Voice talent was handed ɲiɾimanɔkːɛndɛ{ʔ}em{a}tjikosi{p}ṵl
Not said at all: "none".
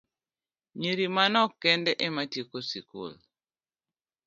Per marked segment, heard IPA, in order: ʔ, a, k

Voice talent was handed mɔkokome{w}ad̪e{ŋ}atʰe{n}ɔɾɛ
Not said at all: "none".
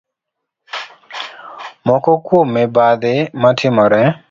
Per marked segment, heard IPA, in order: b, m, m

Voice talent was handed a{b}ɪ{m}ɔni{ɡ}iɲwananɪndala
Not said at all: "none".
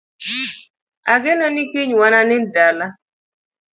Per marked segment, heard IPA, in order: ɡ, n, k

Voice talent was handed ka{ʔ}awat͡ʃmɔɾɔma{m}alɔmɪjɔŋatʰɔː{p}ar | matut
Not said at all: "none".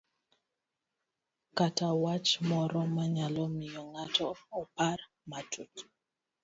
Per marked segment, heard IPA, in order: t, ɲ, p

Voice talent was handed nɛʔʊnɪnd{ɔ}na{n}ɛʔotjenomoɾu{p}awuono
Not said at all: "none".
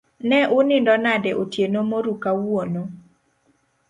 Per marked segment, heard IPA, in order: ɔ, d, k

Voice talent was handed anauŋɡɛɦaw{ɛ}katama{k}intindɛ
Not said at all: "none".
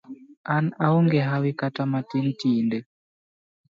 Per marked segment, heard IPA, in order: i, t

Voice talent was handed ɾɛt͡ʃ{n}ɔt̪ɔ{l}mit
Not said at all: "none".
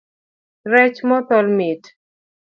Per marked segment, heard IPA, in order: m, l

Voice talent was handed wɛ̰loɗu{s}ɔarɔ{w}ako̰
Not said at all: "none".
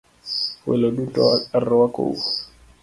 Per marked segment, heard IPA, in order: t, w

